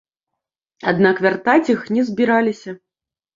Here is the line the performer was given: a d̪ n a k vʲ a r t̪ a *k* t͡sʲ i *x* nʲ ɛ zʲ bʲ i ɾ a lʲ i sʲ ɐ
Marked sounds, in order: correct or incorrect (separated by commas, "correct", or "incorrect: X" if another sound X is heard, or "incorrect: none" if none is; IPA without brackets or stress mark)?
incorrect: none, correct